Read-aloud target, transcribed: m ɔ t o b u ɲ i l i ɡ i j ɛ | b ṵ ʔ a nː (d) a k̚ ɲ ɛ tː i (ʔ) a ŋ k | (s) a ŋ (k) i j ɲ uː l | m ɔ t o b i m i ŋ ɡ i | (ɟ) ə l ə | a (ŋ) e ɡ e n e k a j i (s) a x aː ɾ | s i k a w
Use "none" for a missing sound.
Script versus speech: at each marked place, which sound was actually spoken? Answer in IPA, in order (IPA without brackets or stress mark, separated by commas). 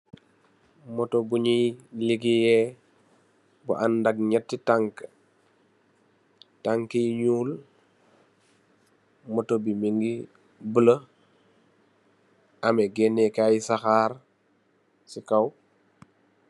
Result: d, t, t, k, b, m, s